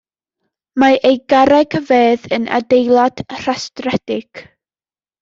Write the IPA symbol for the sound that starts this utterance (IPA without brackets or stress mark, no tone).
m